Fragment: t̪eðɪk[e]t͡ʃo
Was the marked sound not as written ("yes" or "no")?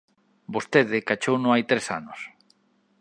yes